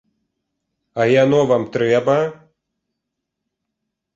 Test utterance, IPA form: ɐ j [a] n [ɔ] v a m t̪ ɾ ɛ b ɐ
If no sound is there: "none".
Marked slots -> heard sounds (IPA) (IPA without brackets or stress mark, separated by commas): a, ɔ